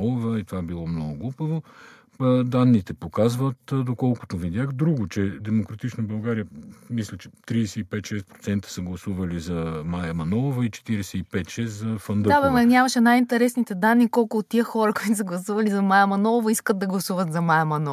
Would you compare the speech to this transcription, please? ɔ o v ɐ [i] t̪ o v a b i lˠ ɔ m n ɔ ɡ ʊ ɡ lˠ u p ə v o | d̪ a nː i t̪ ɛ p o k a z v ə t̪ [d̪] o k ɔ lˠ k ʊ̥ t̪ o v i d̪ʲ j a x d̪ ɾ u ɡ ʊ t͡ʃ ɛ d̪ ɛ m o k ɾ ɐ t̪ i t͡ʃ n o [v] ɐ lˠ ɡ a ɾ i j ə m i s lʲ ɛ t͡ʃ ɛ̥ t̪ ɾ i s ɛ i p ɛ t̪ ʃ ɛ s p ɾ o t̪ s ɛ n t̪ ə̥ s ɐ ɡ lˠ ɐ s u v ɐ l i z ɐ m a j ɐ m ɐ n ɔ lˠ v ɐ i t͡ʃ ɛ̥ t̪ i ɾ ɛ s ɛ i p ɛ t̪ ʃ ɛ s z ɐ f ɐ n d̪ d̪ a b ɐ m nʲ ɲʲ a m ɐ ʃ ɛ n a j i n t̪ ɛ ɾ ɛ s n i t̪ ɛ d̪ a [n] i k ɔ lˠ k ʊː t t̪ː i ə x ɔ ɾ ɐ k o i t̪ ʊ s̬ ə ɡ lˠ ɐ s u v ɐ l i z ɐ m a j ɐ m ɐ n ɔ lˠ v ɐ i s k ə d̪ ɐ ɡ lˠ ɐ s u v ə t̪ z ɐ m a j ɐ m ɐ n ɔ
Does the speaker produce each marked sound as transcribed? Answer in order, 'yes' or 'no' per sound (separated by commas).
yes, yes, no, no